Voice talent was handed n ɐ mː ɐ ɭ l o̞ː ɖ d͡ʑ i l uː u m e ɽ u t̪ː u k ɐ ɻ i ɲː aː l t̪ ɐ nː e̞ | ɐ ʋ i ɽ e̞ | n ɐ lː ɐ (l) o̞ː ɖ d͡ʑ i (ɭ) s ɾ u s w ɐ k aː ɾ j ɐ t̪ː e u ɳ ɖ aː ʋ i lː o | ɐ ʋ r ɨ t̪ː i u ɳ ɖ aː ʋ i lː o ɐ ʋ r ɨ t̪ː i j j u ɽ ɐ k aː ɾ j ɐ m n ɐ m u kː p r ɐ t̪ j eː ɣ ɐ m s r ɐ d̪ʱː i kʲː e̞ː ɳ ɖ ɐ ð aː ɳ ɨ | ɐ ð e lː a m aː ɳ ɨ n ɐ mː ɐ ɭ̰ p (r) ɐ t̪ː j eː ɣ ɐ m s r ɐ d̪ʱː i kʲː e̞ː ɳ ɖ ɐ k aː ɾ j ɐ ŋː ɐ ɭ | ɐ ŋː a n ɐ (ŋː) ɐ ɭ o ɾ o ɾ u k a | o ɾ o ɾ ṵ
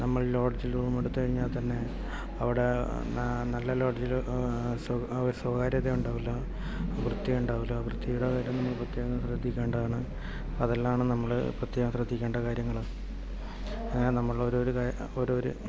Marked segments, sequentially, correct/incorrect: correct, incorrect: l, correct, incorrect: mː

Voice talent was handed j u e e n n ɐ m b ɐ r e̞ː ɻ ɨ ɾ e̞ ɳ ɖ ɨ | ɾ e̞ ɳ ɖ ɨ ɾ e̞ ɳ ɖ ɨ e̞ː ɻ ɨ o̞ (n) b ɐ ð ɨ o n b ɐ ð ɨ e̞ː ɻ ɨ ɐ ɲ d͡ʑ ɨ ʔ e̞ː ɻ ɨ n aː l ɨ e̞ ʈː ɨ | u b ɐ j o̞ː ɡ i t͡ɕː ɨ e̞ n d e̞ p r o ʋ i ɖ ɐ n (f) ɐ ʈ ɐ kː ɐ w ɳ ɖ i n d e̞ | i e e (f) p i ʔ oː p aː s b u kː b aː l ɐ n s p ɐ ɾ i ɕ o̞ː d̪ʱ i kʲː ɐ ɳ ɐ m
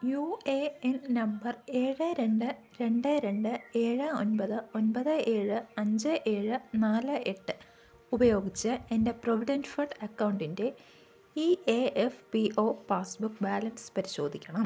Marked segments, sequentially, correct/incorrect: correct, correct, correct

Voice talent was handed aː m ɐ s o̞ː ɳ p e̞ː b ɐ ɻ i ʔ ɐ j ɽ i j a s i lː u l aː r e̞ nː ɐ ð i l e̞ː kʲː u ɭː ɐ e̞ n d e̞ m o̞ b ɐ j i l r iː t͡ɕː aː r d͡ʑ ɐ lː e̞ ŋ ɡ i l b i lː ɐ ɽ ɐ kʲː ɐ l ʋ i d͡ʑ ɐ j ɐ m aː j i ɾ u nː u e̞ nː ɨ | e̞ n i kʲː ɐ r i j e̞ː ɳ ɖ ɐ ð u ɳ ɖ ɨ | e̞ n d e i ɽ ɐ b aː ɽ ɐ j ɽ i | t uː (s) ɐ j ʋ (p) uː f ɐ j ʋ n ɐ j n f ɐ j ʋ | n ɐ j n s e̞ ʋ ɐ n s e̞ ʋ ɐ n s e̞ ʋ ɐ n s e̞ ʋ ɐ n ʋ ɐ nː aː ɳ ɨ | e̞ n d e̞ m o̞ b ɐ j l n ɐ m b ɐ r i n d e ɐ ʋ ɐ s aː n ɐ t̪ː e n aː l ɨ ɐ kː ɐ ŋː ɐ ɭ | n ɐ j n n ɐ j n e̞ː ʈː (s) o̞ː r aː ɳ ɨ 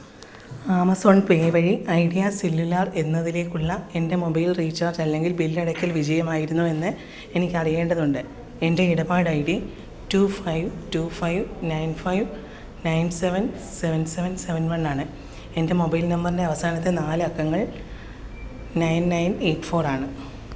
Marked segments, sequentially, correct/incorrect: incorrect: f, incorrect: t, incorrect: f

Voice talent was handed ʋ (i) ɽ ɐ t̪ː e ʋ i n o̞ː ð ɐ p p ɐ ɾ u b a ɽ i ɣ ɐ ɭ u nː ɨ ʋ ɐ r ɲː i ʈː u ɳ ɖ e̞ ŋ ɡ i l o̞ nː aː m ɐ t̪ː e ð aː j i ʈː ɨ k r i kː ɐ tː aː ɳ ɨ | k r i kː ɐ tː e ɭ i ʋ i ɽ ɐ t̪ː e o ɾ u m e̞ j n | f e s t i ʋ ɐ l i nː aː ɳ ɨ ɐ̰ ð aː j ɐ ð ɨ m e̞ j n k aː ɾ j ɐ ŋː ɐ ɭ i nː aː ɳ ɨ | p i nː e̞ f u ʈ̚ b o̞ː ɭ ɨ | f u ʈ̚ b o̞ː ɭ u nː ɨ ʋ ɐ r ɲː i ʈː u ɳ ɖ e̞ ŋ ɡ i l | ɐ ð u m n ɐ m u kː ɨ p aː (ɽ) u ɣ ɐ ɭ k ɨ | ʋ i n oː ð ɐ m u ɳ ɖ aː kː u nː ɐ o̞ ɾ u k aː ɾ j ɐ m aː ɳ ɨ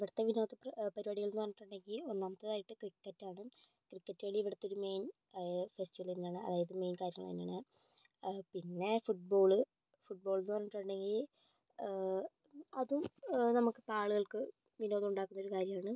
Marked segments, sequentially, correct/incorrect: correct, incorrect: ɭ

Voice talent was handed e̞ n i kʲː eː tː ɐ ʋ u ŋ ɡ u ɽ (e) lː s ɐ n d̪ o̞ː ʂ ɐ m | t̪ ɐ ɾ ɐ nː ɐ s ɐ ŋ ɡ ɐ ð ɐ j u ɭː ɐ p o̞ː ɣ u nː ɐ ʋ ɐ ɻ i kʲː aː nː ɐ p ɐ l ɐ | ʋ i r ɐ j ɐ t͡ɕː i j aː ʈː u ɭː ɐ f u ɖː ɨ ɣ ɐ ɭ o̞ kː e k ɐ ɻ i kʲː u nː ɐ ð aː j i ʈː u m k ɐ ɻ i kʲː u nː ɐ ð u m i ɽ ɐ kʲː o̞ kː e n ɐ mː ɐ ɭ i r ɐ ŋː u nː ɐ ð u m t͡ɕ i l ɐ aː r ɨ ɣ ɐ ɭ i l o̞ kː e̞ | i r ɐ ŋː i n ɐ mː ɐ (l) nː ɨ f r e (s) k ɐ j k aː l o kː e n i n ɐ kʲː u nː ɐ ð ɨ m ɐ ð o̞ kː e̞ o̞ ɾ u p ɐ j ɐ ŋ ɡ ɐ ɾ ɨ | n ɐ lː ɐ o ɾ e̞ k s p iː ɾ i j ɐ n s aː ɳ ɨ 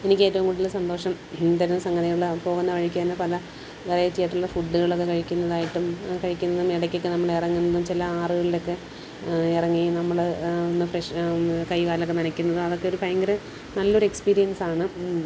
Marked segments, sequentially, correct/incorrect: incorrect: i, incorrect: ɭ, incorrect: ʂ

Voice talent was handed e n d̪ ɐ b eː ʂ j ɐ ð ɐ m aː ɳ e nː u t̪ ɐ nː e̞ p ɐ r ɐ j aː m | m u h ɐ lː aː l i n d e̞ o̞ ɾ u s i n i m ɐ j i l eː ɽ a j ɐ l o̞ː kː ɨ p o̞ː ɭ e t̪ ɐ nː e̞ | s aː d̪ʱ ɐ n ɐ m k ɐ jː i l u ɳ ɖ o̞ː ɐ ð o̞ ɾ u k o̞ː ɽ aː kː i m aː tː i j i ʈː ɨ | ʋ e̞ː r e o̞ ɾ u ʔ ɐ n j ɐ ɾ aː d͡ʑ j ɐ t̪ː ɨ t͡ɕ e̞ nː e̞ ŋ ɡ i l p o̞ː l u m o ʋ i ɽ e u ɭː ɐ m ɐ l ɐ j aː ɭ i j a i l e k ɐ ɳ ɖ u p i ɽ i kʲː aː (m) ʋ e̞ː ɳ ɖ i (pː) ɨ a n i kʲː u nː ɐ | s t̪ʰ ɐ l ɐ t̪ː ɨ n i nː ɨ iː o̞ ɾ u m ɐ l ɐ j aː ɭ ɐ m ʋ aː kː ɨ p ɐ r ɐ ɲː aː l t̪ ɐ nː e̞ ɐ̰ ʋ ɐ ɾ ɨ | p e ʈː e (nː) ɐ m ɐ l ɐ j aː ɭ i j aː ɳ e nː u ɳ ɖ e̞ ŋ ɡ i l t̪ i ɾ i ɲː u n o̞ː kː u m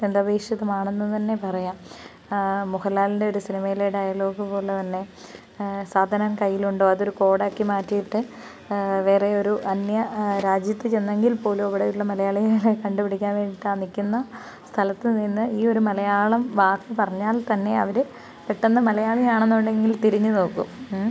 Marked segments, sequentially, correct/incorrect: incorrect: n, incorrect: ʈː, correct

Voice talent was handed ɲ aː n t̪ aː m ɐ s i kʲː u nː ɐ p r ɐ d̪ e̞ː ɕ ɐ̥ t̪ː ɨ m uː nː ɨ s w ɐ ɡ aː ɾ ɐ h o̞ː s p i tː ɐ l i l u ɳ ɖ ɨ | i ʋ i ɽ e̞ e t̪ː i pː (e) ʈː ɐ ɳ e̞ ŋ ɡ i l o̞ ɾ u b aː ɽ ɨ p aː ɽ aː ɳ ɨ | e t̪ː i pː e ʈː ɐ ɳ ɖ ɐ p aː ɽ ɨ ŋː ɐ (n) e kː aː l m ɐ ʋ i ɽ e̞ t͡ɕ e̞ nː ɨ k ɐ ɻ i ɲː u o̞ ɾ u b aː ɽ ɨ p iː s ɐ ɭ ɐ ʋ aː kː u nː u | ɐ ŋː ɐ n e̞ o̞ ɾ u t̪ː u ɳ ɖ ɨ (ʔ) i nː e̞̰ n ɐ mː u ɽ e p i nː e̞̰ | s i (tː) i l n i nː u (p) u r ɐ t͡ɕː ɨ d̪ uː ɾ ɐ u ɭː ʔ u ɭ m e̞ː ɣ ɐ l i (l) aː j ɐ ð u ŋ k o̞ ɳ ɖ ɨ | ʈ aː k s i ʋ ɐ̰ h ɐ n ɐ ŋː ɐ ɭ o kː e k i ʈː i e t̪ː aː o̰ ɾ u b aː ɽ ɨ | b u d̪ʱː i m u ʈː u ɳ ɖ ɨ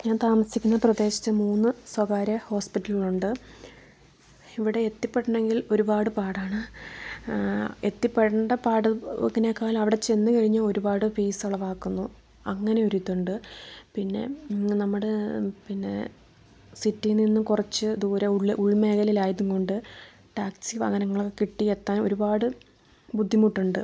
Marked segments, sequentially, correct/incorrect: correct, correct, incorrect: p, correct, incorrect: k, correct

